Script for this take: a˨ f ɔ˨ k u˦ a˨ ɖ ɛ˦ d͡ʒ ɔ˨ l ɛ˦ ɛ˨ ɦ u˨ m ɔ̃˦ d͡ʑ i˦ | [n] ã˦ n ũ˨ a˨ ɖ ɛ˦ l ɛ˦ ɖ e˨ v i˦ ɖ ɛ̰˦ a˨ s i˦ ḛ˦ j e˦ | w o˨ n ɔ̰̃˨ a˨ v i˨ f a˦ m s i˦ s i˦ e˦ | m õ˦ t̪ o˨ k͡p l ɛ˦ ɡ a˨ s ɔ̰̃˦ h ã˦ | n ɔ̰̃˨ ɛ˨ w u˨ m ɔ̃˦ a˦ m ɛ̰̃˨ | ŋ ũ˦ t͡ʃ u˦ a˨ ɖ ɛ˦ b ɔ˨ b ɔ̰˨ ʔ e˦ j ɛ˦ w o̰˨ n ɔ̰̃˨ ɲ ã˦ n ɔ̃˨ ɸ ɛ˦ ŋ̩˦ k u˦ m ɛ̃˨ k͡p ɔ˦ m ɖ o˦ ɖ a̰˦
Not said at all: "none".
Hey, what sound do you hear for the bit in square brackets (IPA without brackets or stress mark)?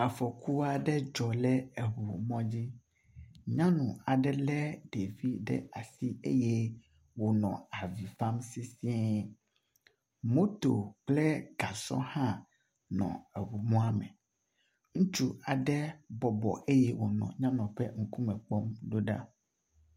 ɲ